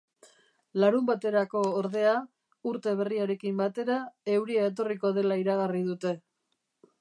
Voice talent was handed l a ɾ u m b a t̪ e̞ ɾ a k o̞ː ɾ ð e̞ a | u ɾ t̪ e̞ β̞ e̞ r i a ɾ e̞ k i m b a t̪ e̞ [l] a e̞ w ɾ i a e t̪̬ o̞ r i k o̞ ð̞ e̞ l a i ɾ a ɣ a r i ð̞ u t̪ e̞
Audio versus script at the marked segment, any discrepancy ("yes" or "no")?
yes